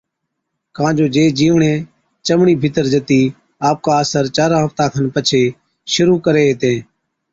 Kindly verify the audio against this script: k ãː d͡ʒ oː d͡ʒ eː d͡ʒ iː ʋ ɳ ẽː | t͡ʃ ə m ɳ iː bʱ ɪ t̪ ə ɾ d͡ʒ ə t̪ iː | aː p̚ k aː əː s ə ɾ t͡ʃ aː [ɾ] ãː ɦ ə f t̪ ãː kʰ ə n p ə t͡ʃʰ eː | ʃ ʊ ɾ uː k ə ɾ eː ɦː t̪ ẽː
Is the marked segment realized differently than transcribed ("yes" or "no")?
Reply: no